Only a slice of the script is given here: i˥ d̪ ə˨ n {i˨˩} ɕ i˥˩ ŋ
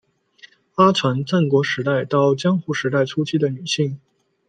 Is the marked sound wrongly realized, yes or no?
yes